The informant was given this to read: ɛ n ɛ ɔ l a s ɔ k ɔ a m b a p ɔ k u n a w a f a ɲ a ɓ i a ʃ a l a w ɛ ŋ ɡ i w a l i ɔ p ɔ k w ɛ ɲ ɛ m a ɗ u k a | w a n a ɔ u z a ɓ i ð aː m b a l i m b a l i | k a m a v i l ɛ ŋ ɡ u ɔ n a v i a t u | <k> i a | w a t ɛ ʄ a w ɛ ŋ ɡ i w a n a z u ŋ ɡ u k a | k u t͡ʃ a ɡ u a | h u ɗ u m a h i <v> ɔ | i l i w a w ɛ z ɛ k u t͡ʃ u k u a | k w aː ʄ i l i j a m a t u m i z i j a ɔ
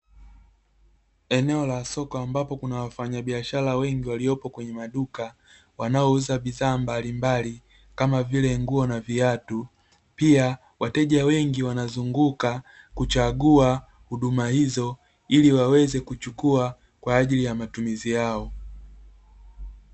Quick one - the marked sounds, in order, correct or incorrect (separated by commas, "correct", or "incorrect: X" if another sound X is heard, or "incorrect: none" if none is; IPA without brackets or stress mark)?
incorrect: p, incorrect: z